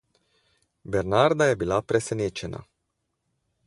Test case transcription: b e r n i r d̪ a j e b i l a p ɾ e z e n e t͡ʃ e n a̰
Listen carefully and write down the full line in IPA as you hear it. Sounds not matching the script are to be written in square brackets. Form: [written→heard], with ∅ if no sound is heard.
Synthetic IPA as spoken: b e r n [i→a] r d̪ a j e b i l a p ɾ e [z→s] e n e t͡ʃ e n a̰